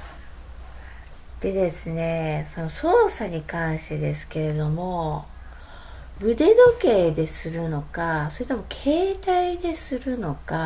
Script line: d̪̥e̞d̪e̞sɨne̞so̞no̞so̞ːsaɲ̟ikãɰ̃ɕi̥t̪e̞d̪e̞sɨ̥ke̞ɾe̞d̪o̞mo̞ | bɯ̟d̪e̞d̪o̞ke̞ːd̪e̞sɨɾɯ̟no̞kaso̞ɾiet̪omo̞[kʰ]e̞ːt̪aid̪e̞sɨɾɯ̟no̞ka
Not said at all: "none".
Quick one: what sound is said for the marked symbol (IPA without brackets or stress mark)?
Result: kʰ